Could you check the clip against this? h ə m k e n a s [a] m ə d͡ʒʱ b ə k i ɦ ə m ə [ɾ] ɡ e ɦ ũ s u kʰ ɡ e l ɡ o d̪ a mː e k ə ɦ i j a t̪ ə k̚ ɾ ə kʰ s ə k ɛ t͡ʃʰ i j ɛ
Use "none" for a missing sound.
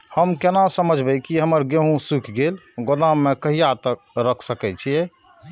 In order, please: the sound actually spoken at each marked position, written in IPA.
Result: ə, ɾ

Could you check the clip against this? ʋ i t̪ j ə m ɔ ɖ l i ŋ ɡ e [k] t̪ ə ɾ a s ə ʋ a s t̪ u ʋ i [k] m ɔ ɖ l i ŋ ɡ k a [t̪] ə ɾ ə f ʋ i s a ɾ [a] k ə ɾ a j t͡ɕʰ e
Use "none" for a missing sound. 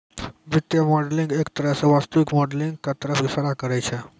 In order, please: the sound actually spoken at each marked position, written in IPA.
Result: k, k, t̪, a

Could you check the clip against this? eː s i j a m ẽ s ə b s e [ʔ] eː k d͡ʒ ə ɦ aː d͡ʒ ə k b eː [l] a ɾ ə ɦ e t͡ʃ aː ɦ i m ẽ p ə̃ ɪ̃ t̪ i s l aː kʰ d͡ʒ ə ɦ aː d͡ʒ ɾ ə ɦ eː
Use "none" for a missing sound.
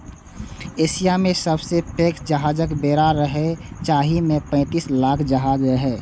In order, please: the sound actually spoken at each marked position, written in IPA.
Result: p, ɾ

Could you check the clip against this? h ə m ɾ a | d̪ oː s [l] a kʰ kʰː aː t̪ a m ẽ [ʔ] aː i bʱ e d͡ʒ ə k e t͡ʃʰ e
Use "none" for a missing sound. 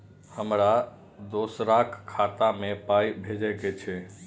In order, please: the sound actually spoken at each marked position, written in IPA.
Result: ɾ, p

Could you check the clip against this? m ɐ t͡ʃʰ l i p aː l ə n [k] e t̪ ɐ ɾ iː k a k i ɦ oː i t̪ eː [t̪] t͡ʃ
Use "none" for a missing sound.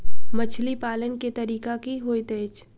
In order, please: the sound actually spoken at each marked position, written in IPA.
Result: k, none

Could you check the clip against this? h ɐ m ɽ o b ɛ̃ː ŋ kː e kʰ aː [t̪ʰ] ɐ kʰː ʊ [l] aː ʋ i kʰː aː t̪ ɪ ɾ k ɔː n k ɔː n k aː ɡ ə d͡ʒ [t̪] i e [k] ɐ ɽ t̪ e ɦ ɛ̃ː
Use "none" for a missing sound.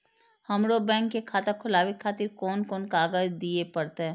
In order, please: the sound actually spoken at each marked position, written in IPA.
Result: t̪, l, d̪, p

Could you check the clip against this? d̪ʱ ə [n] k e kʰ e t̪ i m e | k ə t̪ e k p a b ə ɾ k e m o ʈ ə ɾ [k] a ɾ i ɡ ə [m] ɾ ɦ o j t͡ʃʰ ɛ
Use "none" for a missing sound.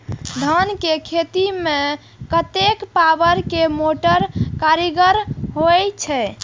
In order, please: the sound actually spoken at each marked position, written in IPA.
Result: n, k, none

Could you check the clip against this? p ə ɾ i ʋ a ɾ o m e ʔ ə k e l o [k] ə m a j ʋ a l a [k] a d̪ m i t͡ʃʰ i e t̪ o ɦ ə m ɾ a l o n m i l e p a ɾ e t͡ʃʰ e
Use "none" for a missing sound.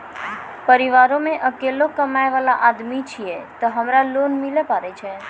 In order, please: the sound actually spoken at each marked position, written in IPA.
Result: k, ʔ

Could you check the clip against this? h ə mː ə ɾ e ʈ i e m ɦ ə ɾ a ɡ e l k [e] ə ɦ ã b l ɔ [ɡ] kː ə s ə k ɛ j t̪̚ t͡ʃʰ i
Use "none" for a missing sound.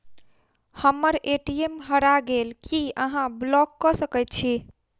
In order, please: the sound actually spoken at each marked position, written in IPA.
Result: i, none

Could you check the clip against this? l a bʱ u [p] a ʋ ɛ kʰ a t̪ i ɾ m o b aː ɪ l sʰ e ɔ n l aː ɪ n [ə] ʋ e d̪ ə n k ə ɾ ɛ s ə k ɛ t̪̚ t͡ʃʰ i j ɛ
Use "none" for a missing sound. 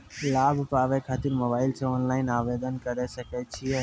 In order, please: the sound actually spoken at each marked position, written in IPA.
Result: p, a

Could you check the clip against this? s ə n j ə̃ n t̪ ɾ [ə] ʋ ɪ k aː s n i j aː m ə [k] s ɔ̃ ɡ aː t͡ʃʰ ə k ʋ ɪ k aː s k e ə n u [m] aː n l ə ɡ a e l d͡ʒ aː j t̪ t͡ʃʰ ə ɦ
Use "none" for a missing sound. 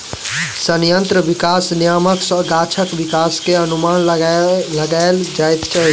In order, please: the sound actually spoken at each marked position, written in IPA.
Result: ə, k, m

